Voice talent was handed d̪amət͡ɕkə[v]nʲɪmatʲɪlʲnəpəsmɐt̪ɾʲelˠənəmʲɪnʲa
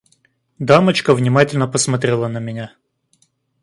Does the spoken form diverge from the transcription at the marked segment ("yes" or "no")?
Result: no